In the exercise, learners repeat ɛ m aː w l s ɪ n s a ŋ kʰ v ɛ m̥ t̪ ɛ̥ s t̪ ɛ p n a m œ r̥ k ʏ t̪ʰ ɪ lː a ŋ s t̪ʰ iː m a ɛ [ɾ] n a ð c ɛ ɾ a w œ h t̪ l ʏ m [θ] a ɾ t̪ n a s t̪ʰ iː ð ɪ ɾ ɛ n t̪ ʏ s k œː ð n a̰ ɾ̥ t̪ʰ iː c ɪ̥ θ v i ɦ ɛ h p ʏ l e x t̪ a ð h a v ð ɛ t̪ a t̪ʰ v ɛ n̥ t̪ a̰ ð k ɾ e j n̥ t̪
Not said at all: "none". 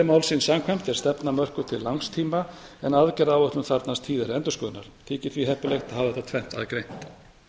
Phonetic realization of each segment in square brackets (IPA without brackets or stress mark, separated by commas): none, θ